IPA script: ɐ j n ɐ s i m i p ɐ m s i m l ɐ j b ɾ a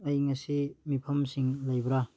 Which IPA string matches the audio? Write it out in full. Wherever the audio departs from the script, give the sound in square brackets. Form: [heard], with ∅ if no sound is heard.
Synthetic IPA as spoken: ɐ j [ŋ] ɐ s i m i [pʰ] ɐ m s i [ŋ] l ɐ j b ɾ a